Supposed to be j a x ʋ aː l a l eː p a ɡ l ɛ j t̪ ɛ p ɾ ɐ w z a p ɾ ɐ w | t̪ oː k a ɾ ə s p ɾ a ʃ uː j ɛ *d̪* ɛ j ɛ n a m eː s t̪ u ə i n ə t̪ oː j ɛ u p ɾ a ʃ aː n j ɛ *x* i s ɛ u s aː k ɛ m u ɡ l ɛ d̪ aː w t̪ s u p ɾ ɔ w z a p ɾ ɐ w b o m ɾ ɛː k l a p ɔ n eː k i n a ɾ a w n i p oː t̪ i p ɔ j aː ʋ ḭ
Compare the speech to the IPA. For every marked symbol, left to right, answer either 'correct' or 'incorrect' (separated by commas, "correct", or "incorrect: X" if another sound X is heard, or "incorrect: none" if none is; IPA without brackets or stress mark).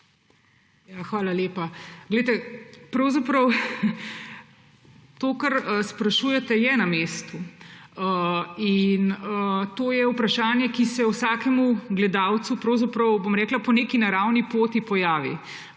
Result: incorrect: t̪, incorrect: k